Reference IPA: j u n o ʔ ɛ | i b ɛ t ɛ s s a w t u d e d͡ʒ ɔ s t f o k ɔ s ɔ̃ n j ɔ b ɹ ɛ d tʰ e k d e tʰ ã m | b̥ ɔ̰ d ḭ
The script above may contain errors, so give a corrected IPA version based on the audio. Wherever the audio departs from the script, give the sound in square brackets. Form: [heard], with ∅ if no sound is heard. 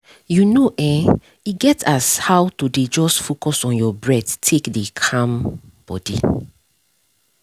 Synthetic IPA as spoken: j u n o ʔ ɛ | i [ɡ] ɛ t [a] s [h] a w t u d e d͡ʒ ɔ s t f o k ɔ s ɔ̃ n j ɔ b ɹ ɛ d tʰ e k d e [kʰ] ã m | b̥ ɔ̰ d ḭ